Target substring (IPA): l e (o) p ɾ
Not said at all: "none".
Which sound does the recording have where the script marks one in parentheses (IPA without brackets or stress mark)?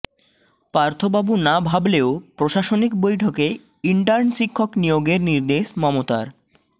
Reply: o